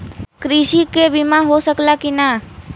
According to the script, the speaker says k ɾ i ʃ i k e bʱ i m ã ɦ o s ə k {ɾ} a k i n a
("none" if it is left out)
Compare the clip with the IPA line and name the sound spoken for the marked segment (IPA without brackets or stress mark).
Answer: l